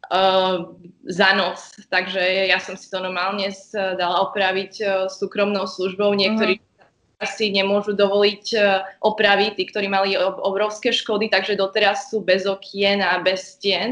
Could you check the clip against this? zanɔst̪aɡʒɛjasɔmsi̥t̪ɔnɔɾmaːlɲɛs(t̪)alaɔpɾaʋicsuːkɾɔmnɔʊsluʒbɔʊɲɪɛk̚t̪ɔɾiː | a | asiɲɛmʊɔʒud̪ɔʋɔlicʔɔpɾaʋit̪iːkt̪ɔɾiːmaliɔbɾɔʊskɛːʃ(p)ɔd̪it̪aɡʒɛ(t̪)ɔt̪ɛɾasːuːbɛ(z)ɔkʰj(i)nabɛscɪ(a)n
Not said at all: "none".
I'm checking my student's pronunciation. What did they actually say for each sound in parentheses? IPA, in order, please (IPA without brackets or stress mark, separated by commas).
d̪, k, d̪, z, ɛ, ɛ